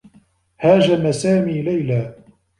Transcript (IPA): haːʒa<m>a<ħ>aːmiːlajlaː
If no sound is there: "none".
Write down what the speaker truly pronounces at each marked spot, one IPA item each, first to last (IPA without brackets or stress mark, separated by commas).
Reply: m, s